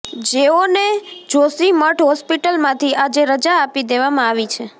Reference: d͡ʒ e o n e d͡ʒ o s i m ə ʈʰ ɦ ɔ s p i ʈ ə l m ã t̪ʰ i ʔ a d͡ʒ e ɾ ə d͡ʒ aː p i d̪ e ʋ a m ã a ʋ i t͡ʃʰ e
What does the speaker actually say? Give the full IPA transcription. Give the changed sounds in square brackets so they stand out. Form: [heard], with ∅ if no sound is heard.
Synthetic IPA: d͡ʒ e o n e d͡ʒ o s i m ə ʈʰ ɦ ɔ s p i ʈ ə l m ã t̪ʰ i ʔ a d͡ʒ e ɾ ə d͡ʒ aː p i d̪ e ʋ a m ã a ʋ i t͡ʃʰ e